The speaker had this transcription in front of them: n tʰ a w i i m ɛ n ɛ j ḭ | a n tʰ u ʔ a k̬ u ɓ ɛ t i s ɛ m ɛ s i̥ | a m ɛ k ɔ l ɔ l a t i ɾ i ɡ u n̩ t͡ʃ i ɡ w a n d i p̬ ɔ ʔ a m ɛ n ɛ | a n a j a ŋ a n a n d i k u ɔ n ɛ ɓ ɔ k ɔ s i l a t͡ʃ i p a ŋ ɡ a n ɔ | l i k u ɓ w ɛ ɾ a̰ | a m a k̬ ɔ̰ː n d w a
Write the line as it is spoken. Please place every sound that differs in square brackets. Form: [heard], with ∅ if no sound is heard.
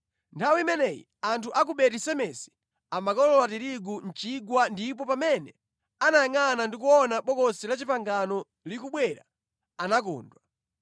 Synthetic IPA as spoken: n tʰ a w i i m ɛ n ɛ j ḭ | a n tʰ u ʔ a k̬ u ɓ ɛ t i s ɛ m ɛ s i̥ | a m [a] k ɔ l ɔ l a t i ɾ i ɡ u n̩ t͡ʃ i ɡ w a n d i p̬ ɔ [p] a m ɛ n ɛ | a n a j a ŋ a n a n d i k u ɔ n [a] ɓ ɔ k ɔ s i l a t͡ʃ i p a ŋ ɡ a n ɔ | l i k u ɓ w ɛ ɾ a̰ | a [n] a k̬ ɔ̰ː n d w a